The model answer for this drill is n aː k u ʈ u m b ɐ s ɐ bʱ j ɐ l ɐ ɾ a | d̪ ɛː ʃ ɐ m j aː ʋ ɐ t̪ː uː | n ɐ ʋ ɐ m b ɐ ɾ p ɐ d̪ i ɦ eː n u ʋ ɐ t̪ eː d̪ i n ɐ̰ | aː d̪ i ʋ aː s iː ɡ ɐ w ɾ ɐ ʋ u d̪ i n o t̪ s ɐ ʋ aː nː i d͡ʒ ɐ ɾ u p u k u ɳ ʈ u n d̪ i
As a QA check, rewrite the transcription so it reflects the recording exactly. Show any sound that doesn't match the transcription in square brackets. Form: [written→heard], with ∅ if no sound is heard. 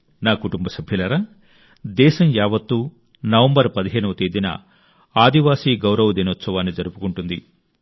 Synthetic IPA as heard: n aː k u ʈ u m b ɐ s ɐ bʱ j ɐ l ɐ ɾ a | d̪ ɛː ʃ ɐ m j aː ʋ ɐ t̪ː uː | n ɐ ʋ ɐ m b ɐ ɾ p ɐ d̪ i ɦ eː n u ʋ ɐ t̪ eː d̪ i n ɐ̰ | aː d̪ i ʋ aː s iː ɡ ɐ w ɾ ɐ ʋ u d̪ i n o t̪ s ɐ ʋ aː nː i d͡ʒ ɐ ɾ u p u k u ɳ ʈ u n d̪ i